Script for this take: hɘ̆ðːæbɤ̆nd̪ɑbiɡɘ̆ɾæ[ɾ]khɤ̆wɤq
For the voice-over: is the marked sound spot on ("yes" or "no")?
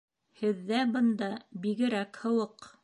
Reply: no